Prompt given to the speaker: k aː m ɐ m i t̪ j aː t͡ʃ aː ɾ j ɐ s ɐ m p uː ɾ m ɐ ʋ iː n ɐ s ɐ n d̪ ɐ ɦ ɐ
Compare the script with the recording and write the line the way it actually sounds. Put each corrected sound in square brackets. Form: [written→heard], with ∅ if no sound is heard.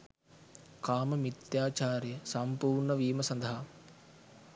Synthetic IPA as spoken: k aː m ɐ m i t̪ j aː t͡ʃ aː ɾ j ɐ s ɐ m p uː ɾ [m→ɳ] ɐ ʋ iː [n→m] ɐ s ɐ n d̪ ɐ ɦ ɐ